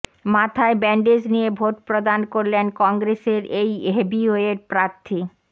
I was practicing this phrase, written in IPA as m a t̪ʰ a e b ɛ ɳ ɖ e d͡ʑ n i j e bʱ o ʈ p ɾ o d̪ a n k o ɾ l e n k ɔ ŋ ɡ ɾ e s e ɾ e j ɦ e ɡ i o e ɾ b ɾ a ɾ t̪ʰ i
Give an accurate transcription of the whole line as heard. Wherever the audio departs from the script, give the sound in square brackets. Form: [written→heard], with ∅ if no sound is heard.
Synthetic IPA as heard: m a t̪ʰ a e b ɛ ɳ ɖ e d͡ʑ n i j e bʱ o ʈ p ɾ o d̪ a n k o ɾ l e n k ɔ ŋ ɡ ɾ e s e ɾ e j ɦ e [ɡ→b] i o e ɾ [b→p] ɾ a ɾ t̪ʰ i